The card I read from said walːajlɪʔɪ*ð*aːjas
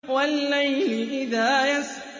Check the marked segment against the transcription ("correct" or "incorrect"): correct